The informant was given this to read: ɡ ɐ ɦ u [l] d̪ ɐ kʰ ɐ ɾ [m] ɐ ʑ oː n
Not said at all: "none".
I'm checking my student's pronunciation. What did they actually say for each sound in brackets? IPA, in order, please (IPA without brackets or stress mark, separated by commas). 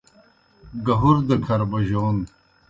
ɾ, b